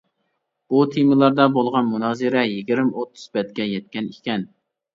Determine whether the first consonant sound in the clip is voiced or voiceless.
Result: voiceless